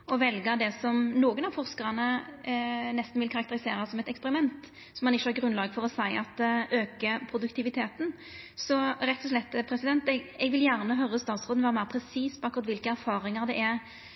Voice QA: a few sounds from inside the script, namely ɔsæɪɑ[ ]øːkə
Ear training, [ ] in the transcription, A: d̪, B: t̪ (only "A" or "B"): B